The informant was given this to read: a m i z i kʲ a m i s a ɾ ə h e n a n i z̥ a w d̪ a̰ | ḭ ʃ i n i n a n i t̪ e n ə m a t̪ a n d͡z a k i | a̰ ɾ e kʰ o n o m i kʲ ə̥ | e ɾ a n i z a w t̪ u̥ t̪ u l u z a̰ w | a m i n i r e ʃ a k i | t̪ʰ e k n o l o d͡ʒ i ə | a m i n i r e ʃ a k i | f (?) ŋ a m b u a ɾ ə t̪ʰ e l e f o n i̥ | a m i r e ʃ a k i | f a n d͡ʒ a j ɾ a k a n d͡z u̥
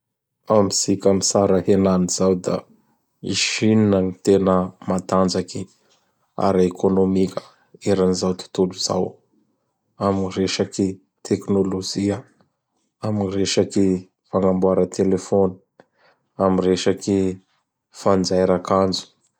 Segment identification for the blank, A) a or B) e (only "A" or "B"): A